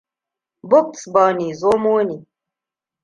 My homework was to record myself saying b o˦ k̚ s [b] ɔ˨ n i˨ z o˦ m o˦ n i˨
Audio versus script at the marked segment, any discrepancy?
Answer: no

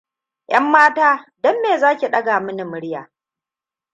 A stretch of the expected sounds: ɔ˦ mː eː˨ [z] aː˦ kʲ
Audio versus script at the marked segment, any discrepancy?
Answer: no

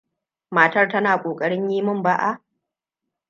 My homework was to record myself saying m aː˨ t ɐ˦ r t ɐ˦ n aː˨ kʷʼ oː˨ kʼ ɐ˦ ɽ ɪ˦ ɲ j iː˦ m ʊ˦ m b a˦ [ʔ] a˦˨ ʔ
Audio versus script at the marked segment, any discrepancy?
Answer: no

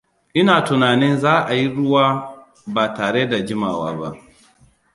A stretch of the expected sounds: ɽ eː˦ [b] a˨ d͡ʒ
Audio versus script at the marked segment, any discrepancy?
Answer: yes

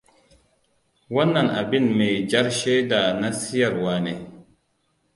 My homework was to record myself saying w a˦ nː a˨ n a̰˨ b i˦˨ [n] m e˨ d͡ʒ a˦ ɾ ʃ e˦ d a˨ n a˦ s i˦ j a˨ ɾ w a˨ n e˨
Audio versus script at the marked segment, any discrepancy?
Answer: no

